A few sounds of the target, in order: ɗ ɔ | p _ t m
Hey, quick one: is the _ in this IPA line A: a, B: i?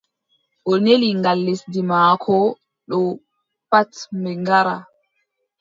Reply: A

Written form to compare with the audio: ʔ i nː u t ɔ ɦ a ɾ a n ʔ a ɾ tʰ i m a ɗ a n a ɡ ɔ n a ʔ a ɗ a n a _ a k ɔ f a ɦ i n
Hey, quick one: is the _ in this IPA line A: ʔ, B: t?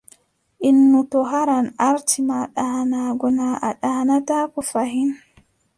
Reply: B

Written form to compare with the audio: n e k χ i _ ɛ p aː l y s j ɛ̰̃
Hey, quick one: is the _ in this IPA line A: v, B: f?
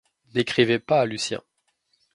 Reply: A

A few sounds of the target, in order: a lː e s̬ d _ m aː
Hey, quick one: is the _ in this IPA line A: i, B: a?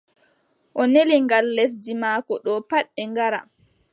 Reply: A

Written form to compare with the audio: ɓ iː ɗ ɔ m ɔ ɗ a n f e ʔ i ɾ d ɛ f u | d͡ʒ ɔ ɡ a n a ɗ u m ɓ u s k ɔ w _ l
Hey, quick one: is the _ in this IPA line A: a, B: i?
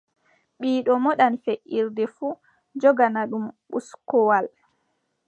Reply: A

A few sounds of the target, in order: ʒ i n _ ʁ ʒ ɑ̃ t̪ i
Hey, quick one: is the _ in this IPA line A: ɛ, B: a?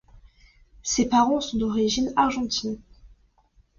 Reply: B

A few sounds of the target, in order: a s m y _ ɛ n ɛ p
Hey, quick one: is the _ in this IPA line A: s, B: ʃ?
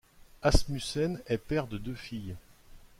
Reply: A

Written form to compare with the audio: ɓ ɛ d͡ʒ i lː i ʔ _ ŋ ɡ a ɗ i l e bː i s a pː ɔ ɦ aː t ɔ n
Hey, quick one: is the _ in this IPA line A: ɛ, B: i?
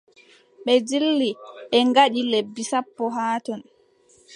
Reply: A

